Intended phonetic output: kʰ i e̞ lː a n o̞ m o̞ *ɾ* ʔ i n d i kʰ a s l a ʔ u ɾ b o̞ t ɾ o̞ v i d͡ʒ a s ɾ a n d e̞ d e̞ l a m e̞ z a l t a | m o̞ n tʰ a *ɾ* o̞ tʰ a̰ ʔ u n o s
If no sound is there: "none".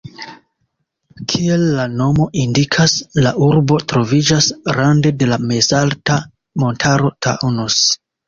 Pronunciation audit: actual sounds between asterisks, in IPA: none, ɾ

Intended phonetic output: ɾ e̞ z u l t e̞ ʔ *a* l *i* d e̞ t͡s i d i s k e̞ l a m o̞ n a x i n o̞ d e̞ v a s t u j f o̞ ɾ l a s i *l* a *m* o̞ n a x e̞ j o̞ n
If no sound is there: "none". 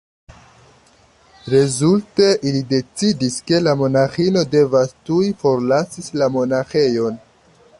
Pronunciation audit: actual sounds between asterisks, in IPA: i, i, l, m

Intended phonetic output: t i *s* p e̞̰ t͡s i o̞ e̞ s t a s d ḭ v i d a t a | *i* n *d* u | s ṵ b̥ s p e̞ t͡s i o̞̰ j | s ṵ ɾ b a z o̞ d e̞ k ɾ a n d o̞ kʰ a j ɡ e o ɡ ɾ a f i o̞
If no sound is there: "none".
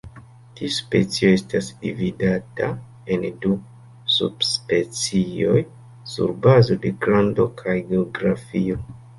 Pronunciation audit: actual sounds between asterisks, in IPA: s, e, d

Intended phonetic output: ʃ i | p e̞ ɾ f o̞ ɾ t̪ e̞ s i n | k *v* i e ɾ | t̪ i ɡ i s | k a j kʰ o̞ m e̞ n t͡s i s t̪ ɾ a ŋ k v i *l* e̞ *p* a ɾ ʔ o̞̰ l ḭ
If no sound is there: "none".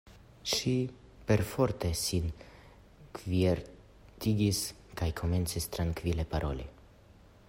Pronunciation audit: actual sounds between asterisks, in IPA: v, l, p

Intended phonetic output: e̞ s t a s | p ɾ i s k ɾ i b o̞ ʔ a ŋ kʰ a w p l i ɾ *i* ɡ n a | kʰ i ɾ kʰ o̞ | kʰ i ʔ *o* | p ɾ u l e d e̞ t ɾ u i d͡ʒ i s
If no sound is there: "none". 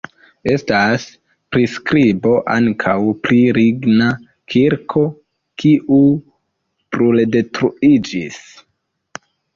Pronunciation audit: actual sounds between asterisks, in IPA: i, u

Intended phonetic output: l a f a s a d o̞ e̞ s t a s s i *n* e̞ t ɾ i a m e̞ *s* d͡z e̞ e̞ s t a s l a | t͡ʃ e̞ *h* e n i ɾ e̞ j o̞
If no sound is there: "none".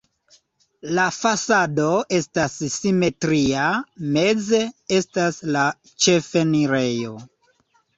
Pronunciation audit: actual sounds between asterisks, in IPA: m, none, f

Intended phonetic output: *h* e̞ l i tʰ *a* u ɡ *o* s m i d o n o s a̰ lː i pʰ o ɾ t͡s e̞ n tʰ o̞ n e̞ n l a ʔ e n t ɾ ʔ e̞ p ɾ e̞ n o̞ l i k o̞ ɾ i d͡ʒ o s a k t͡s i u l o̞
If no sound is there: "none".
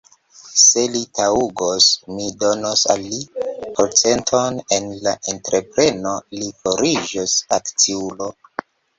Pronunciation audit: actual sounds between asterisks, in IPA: s, a, o

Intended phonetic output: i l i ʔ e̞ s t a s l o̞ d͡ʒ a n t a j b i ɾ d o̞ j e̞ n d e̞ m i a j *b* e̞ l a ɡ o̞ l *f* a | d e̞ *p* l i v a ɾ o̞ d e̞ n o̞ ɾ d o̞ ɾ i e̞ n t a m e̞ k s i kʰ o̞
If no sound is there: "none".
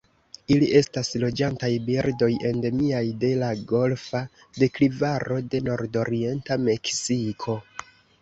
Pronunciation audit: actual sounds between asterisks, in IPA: d, f, k

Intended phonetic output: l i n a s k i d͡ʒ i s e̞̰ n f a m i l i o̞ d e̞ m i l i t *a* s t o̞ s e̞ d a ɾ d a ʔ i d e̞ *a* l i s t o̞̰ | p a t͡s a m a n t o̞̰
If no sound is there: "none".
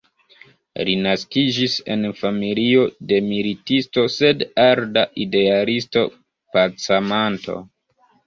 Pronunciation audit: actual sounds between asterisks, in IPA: i, a

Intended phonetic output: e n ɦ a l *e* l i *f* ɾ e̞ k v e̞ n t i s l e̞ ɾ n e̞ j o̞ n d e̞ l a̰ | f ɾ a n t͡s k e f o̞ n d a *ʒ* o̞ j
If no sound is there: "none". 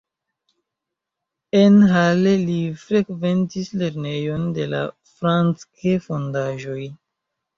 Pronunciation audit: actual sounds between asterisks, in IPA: e, f, ʒ

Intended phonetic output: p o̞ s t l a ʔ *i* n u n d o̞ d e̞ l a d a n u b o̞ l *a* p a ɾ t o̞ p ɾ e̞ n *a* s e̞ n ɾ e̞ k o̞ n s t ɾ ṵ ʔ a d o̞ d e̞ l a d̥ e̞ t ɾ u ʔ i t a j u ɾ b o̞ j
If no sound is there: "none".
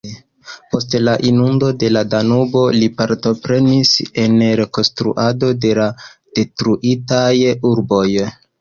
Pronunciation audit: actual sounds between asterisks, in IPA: i, i, i

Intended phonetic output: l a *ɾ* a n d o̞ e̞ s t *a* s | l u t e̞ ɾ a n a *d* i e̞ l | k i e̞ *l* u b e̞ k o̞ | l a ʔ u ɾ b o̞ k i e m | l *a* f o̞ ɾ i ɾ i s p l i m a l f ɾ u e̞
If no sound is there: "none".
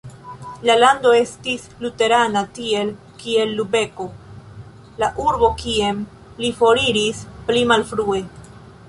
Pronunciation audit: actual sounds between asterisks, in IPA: l, i, t, lː, i

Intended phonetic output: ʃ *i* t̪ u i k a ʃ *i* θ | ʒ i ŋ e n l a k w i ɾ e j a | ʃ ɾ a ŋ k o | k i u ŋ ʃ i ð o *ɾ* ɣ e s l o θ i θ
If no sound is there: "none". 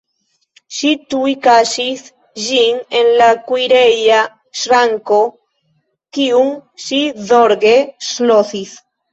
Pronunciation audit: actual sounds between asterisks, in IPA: i, i, ɾ

